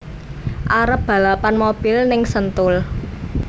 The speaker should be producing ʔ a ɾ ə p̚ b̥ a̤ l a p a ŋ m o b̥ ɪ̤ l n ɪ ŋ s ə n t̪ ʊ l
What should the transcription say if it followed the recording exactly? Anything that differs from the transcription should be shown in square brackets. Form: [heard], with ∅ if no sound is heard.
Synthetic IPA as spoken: ʔ a ɾ ə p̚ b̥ a̤ l a p a [n] m o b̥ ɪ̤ l n ɪ ŋ s ə n t̪ ʊ l